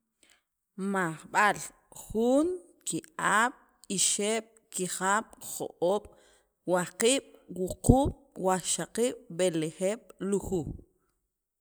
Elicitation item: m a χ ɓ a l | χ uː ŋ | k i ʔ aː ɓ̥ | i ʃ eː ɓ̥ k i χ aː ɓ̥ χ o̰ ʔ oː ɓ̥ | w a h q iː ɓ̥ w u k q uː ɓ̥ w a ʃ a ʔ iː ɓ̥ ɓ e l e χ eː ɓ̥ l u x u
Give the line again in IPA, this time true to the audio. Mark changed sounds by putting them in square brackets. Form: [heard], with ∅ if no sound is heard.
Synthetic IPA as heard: m a χ ɓ a l | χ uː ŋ | k i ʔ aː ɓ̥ | i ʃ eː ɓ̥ k i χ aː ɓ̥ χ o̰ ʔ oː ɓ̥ | w a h q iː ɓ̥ w u [∅] q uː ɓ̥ w a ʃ a [q] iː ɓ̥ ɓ e l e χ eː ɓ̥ l u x u